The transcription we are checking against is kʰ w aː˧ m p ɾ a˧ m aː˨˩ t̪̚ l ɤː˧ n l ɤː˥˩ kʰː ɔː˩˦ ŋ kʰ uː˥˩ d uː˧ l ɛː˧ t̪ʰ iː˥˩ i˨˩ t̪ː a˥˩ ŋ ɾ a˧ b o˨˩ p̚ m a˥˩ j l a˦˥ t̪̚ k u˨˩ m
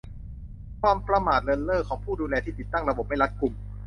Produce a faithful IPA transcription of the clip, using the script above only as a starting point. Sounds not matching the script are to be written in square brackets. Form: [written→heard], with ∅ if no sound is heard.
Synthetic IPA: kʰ w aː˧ m p ɾ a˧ m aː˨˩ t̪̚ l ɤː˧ n l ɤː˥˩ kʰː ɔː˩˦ ŋ [kʰ→pʰ] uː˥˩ d uː˧ l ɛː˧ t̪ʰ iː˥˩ i˨˩ t̪ː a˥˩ ŋ ɾ a˧ b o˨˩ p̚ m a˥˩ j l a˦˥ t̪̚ k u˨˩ m